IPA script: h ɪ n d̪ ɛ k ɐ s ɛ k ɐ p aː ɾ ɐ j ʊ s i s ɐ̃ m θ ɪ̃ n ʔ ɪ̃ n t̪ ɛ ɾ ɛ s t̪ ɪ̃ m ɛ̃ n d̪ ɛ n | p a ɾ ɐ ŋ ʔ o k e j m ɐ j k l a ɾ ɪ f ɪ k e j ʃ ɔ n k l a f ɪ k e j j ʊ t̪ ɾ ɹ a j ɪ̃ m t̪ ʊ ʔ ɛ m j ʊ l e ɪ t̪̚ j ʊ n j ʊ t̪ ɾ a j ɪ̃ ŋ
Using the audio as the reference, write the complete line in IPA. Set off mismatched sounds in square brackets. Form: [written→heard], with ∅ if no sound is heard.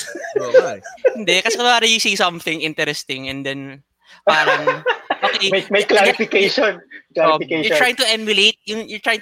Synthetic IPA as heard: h ɪ n d̪ ɛ k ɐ s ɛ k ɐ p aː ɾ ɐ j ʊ s i s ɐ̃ m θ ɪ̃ [n→ŋ] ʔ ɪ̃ n t̪ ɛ ɾ ɛ s t̪ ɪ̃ [m→ŋ] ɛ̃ n d̪ ɛ n | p a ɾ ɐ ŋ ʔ o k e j m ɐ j k l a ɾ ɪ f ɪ k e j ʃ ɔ n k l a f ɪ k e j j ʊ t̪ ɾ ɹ a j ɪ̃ [m→ŋ] t̪ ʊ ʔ ɛ m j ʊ l e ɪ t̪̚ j ʊ [n→ŋ] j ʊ t̪ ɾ a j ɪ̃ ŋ